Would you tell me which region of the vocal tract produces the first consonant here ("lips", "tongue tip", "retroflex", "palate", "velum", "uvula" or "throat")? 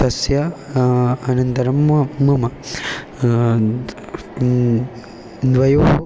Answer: tongue tip